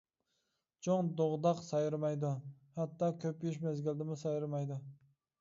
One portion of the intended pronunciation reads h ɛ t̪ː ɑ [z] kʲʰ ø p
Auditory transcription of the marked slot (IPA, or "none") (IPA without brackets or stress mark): none